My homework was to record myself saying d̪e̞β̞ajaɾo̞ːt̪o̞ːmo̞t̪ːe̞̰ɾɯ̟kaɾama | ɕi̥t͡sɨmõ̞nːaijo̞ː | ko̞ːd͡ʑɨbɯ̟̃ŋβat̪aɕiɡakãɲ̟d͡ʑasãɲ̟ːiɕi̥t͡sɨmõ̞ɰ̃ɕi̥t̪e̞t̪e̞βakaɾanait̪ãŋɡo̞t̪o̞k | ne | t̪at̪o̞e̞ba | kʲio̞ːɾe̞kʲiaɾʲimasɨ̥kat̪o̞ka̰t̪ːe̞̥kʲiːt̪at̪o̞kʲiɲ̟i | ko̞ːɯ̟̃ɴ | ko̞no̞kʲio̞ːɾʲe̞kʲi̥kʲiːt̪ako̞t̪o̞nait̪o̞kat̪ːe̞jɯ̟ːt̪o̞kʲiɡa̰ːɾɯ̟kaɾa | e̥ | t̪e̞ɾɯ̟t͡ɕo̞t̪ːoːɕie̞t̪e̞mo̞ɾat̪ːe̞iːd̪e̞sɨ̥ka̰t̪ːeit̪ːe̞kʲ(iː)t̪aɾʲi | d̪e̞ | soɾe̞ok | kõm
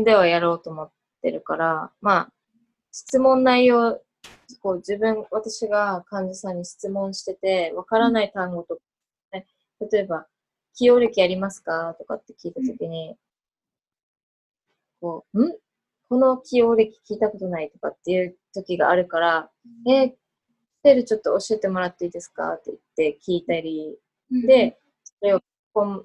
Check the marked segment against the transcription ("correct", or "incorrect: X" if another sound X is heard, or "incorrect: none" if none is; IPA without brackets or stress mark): correct